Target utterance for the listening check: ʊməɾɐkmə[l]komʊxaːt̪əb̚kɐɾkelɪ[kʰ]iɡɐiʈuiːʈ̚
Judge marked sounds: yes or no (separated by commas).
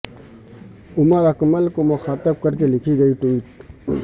yes, yes